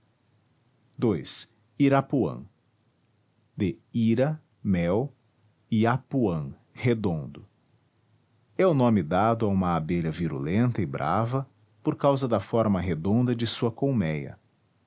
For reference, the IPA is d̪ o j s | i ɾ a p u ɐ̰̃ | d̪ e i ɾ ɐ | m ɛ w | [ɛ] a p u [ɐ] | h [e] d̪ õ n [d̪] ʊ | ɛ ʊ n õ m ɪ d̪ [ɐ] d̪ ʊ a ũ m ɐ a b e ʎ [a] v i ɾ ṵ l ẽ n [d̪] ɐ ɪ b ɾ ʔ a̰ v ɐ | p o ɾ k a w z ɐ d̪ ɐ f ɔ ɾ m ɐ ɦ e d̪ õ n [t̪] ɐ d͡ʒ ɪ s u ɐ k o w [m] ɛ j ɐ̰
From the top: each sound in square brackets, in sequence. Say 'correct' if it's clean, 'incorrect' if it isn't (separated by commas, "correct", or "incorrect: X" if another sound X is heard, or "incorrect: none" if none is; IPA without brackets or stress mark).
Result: incorrect: i, incorrect: ɐ̃, correct, correct, incorrect: a, incorrect: ɐ, incorrect: t̪, incorrect: d̪, correct